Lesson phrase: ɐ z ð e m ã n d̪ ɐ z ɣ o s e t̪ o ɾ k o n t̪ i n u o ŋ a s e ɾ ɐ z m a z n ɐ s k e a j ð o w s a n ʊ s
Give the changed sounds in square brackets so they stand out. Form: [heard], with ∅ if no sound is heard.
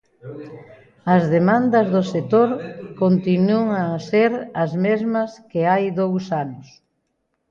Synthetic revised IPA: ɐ z ð e m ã n d̪ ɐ z [ð] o s e t̪ o ɾ k o n t̪ i n u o ŋ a s e ɾ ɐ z m [e] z [m] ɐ s k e a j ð o w s a n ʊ s